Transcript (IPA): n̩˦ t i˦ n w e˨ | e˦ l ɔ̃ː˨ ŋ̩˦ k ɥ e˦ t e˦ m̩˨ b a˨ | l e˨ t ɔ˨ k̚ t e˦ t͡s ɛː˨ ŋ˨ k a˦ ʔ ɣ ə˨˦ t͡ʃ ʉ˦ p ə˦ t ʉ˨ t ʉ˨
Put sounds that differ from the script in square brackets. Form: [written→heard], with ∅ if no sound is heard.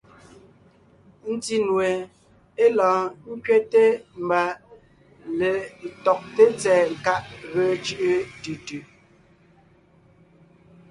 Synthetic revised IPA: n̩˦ t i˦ n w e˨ | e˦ l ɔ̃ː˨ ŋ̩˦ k ɥ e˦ t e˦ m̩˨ b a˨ | l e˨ t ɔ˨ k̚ t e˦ t͡s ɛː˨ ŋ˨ k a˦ ʔ ɣ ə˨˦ t͡ʃ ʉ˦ [p→ʔ] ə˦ t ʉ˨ t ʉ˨